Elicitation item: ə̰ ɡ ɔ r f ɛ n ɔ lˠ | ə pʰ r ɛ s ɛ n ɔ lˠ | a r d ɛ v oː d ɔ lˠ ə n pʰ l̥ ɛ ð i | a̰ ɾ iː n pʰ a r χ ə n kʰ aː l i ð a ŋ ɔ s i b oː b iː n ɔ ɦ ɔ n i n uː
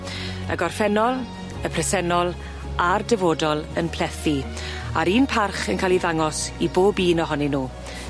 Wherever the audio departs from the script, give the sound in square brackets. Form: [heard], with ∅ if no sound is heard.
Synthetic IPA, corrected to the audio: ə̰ ɡ ɔ r f ɛ n ɔ lˠ | ə pʰ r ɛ s ɛ n ɔ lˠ | a r d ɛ v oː d ɔ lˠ ə n pʰ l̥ ɛ [θ] i | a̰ ɾ iː n pʰ a r χ ə n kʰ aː l i ð a ŋ ɔ s i b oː b iː n ɔ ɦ ɔ n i n uː

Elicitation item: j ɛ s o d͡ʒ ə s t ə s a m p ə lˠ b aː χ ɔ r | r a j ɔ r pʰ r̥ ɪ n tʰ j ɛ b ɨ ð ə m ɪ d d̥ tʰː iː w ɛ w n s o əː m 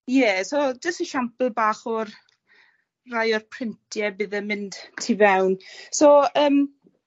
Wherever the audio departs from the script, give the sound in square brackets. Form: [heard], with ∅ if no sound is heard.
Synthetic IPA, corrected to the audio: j ɛ s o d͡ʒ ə s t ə [ʃ] a m p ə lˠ b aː χ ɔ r | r a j ɔ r pʰ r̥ ɪ n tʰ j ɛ b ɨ ð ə m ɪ [n] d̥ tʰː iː [v] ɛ w n s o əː m

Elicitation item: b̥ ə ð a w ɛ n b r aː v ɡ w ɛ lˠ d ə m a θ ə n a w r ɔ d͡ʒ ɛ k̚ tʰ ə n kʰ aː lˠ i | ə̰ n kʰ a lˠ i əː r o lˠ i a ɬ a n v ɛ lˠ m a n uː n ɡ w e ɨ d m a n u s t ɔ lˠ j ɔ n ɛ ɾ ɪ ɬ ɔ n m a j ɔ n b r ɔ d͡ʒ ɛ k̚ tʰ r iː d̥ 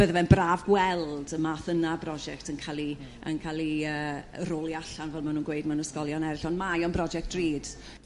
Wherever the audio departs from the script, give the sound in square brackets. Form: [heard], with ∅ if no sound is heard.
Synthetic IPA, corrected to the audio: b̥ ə ð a [v] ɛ n b r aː v ɡ w ɛ lˠ d ə m a θ ə n a [b] r ɔ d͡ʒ ɛ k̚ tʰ ə n kʰ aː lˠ i | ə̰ n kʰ a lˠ i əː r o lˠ i a ɬ a n v ɛ lˠ m a n uː n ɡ w e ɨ d m a n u s [k] ɔ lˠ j ɔ n ɛ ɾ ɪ ɬ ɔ n m a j ɔ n b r ɔ d͡ʒ ɛ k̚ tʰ r iː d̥

